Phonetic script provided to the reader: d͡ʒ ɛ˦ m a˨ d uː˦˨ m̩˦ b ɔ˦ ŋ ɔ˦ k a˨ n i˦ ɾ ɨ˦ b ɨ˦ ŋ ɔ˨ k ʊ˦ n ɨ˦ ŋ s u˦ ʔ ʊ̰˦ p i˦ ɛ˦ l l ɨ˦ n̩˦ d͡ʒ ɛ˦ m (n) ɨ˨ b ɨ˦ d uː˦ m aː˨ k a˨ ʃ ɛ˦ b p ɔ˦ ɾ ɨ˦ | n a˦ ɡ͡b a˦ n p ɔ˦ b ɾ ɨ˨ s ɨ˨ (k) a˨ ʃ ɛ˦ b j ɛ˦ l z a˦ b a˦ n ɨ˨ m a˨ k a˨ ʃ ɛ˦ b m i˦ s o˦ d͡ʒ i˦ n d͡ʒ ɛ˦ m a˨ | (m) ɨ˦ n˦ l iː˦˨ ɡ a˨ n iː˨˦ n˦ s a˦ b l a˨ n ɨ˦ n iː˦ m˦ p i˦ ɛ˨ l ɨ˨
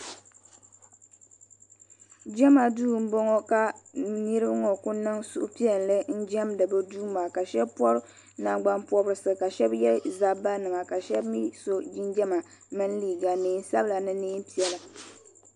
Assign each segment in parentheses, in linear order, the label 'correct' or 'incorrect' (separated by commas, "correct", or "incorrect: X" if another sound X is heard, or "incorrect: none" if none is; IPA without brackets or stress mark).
incorrect: d, correct, correct